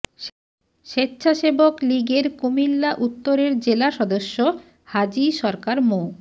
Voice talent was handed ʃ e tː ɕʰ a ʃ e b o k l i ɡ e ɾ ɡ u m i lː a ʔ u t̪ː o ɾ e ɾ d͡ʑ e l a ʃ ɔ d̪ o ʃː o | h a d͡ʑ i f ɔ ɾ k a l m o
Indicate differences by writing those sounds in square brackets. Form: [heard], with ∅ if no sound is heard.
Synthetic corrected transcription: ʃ e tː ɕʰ a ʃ e b o k l i ɡ e ɾ [k] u m i lː a ʔ u t̪ː o ɾ e ɾ d͡ʑ e l a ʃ ɔ d̪ o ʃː o | h a d͡ʑ i [ʃ] ɔ ɾ k a [ɾ] m o